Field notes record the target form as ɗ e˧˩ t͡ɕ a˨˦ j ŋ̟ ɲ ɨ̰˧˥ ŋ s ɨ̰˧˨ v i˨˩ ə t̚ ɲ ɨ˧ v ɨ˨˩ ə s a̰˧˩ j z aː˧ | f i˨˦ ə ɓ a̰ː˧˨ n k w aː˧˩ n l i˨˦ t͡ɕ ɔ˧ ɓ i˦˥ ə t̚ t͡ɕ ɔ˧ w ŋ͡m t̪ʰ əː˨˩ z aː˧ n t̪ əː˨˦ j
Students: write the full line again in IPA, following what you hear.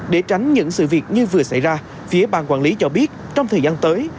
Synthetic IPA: ɗ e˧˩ t͡ɕ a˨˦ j ŋ̟ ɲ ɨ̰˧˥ ŋ s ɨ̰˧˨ v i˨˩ ə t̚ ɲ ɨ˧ v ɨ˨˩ ə s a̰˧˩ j z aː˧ | f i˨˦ ə ɓ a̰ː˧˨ n k w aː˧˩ n l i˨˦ t͡ɕ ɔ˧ ɓ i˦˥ ə t̚ t͡ɕ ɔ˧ w ŋ͡m t̪ʰ əː˨˩ z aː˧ n t̪ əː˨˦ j

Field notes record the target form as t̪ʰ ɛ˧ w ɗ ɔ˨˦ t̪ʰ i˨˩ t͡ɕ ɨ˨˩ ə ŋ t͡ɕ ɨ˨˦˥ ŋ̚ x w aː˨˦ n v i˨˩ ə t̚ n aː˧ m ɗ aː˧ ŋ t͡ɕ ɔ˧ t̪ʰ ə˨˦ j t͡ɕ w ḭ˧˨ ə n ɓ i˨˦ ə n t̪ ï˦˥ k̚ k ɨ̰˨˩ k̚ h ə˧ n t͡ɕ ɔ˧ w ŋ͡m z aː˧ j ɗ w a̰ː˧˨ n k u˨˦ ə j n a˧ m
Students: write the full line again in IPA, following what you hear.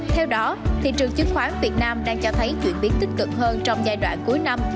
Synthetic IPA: t̪ʰ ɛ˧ w ɗ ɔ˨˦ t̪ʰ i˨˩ t͡ɕ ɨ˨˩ ə ŋ t͡ɕ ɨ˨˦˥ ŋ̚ x w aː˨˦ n v i˨˩ ə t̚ n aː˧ m ɗ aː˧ ŋ t͡ɕ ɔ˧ t̪ʰ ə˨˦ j t͡ɕ w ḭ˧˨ ə n ɓ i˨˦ ə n t̪ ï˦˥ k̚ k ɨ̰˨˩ k̚ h əː˧ n t͡ɕ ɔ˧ w ŋ͡m z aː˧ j ɗ w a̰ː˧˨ n k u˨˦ ə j n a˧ m

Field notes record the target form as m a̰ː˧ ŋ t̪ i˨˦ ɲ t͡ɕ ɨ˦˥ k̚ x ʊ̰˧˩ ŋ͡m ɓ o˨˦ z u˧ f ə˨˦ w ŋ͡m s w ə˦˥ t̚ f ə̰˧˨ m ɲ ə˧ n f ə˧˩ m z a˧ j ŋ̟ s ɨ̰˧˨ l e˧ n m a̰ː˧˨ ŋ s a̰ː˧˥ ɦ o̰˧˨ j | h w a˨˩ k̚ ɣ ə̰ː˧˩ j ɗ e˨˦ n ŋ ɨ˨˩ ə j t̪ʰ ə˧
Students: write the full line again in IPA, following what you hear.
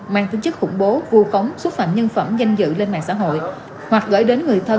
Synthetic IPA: m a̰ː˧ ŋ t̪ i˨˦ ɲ t͡ɕ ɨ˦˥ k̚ x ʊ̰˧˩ ŋ͡m ɓ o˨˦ v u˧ x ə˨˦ w ŋ͡m s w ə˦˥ t̚ f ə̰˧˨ m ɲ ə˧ n f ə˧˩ m z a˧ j ŋ̟ z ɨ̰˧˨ l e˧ n m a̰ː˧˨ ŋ s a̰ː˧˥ ɦ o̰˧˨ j | h w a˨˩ k̚ ɣ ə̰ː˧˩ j ɗ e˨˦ n ŋ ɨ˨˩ ə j t̪ʰ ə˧

